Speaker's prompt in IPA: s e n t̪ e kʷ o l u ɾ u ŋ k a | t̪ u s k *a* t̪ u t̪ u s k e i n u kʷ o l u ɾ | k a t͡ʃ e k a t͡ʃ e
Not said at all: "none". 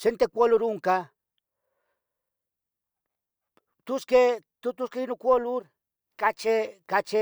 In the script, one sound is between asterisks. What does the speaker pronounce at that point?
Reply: e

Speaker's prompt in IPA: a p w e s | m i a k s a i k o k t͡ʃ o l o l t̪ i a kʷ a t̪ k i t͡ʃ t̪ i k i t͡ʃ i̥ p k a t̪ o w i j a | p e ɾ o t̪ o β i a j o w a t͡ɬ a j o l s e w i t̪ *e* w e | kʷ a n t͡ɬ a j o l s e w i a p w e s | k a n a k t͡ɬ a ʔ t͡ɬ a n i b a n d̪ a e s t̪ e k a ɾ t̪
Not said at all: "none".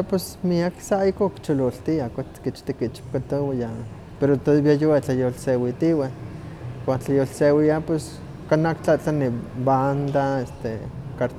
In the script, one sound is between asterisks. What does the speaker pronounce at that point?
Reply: i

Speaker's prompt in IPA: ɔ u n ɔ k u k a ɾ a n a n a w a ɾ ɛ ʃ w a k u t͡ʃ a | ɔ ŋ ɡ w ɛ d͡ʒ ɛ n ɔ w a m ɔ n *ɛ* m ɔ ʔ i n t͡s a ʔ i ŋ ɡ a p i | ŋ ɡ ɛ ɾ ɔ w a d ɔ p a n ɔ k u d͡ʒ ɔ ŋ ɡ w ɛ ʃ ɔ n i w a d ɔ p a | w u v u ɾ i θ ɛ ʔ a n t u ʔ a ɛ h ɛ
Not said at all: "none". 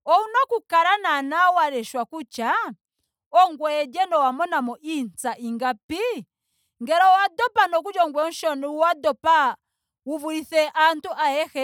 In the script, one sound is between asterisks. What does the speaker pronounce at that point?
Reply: a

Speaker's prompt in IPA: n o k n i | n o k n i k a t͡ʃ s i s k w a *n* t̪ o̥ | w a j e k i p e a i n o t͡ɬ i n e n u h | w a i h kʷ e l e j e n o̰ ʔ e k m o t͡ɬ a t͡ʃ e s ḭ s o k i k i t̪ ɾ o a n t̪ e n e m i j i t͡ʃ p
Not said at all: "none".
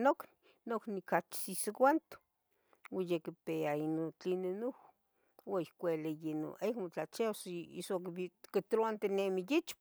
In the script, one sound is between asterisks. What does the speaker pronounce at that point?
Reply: n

